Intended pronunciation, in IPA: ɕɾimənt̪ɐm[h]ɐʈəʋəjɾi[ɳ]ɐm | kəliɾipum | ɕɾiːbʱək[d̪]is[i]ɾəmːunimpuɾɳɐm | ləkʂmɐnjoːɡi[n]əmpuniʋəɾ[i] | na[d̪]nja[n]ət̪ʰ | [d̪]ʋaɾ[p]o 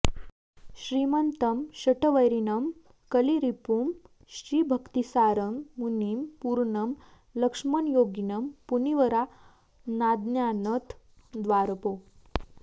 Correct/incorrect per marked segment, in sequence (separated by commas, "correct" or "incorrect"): incorrect, incorrect, incorrect, incorrect, correct, incorrect, correct, correct, correct, correct